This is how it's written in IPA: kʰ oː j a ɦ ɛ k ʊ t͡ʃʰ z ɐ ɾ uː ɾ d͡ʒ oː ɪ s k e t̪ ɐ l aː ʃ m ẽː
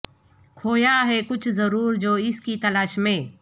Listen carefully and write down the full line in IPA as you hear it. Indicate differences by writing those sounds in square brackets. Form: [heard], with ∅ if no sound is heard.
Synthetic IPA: kʰ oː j a ɦ ɛ k ʊ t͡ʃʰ z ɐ ɾ uː ɾ d͡ʒ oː ɪ s k [i] t̪ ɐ l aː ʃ m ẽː